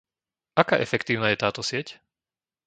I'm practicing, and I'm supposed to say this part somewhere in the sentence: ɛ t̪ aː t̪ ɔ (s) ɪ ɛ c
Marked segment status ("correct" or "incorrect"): correct